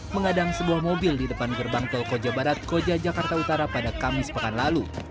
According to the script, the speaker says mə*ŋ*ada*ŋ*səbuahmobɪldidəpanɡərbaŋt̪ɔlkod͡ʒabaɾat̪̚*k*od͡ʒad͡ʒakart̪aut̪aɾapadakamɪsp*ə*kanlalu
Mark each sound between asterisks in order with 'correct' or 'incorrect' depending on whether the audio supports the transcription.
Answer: correct, correct, correct, correct

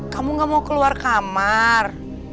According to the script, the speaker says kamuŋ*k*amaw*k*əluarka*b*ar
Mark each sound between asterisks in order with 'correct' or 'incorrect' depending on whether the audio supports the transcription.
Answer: incorrect: ɡ, correct, incorrect: m

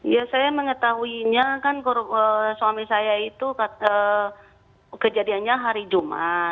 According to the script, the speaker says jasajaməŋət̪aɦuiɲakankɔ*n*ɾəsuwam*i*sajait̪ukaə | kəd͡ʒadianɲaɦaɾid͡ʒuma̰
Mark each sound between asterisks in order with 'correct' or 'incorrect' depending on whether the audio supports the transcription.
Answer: incorrect: none, correct

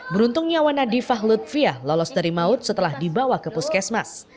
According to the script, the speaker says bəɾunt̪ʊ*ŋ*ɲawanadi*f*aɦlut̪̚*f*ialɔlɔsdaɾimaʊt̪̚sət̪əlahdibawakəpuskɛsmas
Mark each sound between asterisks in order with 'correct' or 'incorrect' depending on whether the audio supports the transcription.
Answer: correct, correct, correct

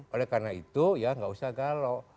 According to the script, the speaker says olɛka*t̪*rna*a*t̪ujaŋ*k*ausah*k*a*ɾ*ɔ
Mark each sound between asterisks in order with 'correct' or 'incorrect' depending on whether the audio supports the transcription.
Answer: incorrect: none, incorrect: i, incorrect: ɡ, incorrect: ɡ, incorrect: l

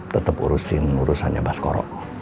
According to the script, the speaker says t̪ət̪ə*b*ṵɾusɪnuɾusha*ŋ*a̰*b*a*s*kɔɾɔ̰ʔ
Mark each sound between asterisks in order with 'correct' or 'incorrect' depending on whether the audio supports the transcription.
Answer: incorrect: p, incorrect: ɲ, correct, correct

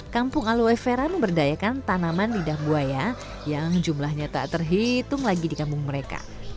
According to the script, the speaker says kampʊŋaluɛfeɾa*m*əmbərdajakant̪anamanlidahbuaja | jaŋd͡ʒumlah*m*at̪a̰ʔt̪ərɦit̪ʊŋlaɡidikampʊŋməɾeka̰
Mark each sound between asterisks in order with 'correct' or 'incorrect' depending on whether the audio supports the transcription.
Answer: correct, incorrect: ɲ

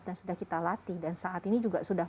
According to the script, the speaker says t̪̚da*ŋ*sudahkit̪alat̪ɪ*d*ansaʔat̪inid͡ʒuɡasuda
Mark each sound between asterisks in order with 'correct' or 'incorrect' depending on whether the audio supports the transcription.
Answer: incorrect: n, correct

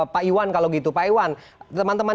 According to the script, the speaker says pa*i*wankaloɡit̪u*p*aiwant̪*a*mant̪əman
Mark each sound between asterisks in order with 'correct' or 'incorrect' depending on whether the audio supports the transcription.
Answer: correct, correct, incorrect: ə

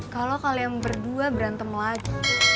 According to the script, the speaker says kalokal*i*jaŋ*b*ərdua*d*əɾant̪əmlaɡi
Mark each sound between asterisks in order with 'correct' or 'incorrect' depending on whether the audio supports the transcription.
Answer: correct, correct, incorrect: b

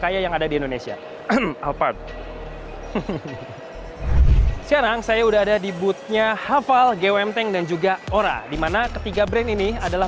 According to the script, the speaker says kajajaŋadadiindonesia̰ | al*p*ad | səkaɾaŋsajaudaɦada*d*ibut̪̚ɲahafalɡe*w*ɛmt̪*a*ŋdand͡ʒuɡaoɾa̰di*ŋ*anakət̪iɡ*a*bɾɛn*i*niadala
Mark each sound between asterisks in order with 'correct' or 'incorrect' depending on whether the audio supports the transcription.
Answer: correct, correct, correct, incorrect: ɛ, incorrect: m, correct, correct

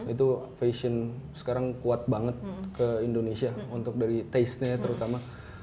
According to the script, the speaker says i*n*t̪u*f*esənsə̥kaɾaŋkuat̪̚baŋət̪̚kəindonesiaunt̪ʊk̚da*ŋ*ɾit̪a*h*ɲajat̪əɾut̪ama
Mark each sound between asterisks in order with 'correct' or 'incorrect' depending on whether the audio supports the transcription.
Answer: incorrect: none, correct, incorrect: none, incorrect: s

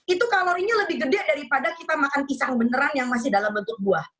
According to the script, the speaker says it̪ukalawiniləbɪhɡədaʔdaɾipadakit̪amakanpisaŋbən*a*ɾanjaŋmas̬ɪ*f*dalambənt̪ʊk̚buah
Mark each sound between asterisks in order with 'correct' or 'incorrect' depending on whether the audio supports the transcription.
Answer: incorrect: ə, incorrect: h

